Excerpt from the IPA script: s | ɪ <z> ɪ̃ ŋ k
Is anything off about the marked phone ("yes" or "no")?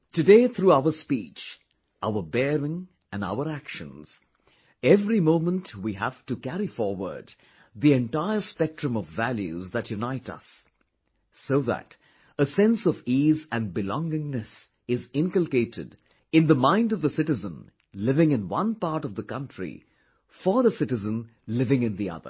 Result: no